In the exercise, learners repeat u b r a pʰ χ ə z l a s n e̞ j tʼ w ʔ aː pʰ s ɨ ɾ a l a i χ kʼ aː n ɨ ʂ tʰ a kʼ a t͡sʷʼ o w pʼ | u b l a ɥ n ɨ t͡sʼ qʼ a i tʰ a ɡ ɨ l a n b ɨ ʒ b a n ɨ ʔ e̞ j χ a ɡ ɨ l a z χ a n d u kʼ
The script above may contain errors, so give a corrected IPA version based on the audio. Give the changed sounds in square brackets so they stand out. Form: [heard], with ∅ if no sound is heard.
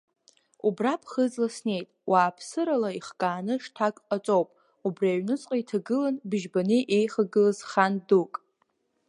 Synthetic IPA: u b r a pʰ χ ə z l a s n e̞ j tʼ w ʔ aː pʰ s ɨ ɾ a l a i χ kʼ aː n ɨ ʂ tʰ a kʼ a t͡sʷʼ o w pʼ | u b [r] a ɥ n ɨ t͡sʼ qʼ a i tʰ a ɡ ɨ l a n b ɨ ʒ b a n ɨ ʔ e̞ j χ a ɡ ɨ l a z χ a n d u kʼ